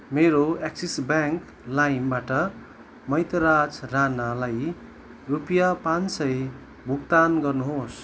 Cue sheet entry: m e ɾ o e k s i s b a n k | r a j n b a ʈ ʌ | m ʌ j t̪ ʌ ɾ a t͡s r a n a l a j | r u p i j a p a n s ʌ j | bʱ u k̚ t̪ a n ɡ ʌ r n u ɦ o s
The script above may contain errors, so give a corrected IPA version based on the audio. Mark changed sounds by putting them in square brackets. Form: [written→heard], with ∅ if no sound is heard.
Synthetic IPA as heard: m e ɾ o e k s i s b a [n→ŋ] k | [r→l] a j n b a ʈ ʌ | m ʌ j t̪ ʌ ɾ a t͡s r a n a l a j | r u p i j a p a n s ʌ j | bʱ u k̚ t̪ a n ɡ ʌ r n u ɦ o s